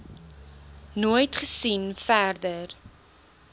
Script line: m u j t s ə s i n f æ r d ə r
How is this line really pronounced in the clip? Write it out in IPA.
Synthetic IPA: n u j t χ ə s i n f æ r d ə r